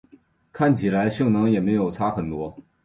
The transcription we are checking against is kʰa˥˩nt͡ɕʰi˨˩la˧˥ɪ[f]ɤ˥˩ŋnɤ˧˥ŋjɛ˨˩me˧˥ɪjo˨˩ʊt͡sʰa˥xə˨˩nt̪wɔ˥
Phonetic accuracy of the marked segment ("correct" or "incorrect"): incorrect